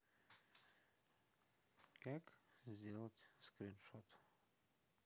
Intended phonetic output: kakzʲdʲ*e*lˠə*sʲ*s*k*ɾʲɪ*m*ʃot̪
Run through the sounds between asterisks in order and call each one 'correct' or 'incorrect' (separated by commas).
correct, incorrect, correct, incorrect